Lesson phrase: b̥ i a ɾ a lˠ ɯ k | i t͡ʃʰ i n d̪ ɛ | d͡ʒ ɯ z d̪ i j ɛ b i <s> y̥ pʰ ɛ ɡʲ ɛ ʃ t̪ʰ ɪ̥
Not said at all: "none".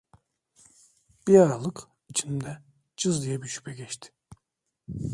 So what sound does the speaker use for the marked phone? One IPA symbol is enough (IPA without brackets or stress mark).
ʃ